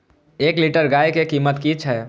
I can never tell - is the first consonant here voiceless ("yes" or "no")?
yes